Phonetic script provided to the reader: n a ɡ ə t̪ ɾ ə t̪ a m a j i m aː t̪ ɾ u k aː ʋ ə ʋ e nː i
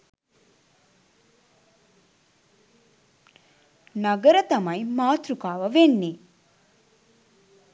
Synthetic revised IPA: n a ɡ ə ɾ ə t̪ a m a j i m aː t̪ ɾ u k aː ʋ ə ʋ e nː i

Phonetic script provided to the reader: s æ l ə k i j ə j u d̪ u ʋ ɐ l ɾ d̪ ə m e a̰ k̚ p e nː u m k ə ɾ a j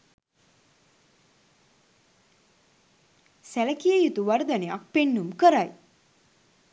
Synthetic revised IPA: s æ l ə k i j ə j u t̪ u ʋ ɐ ɾ d̪ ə n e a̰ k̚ p e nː u m k ə ɾ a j

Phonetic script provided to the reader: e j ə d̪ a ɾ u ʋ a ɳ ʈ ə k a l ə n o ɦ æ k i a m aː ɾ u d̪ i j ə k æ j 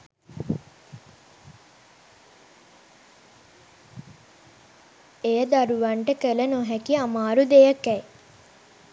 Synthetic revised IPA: e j ə d̪ a ɾ u ʋ a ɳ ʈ ə k ə l ə n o ɦ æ k i a m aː ɾ u d̪ e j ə k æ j

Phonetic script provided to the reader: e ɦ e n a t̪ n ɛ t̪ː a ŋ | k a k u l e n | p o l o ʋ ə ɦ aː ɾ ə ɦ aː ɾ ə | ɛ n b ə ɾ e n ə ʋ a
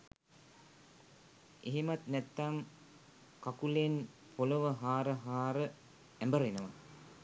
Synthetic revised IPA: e ɦ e m a t̪ n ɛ t̪ː a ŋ | k a k u l e n | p o l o ʋ ə ɦ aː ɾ ə ɦ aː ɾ ə | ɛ m b ə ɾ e n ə ʋ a

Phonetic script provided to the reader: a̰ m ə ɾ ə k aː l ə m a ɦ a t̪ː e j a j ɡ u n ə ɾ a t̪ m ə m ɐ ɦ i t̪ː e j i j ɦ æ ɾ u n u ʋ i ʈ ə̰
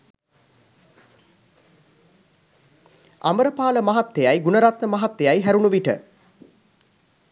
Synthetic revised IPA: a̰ m ə ɾ ə p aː l ə m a ɦ a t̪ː e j a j ɡ u n ə ɾ a t̪ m ə m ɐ ɦ a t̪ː e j a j ɦ æ ɾ u n u ʋ i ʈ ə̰

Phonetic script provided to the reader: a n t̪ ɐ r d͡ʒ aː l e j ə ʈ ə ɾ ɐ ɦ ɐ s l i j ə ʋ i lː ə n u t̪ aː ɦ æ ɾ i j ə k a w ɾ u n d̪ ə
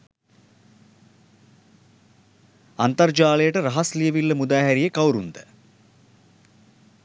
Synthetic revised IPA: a n t̪ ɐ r d͡ʒ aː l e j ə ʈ ə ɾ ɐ ɦ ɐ s l i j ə ʋ i lː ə m u d̪ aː ɦ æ ɾ i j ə k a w ɾ u n d̪ ə

